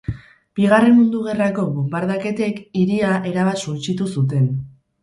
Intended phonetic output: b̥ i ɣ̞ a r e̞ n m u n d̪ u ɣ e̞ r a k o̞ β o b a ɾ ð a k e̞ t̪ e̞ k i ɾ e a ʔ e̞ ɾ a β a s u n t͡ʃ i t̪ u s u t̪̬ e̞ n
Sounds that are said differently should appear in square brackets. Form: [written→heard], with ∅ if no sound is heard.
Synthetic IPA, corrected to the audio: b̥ i ɣ̞ a r e̞ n m u n d̪ u ɣ e̞ r a k o̞ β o b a ɾ ð a k e̞ t̪ e̞ k i ɾ [e→i] a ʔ e̞ ɾ a β a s u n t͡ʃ i t̪ u s u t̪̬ e̞ n